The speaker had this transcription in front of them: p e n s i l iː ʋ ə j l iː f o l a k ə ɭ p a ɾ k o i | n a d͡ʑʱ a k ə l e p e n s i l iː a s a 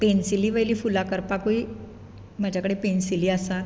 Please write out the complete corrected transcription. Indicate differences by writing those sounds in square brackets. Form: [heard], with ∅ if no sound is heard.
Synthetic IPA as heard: p e n s i l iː ʋ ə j l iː f [u] l a k ə [ɾ] p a [∅] k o i | [m] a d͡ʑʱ a k ə [ɽ] e p e n s i l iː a s a